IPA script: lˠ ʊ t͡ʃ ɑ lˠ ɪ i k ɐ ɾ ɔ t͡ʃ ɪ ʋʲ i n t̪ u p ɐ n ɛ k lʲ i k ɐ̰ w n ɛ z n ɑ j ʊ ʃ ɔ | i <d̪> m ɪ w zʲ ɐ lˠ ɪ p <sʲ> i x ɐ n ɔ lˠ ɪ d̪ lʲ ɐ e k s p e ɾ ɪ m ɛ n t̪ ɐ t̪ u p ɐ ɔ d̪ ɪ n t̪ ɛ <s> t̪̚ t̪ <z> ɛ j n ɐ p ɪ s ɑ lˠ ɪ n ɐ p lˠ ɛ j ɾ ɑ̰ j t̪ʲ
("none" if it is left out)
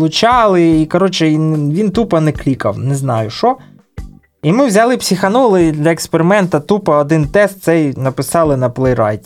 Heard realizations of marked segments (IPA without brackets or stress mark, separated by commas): none, sʲ, s, s